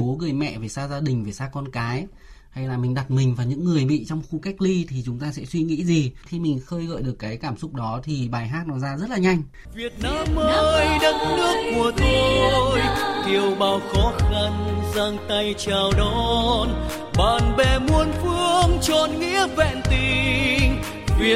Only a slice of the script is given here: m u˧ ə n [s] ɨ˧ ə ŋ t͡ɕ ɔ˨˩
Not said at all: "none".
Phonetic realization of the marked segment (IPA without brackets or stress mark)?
f